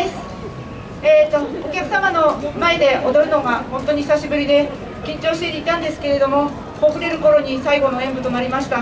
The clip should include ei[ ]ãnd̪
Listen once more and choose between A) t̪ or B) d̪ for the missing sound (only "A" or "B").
A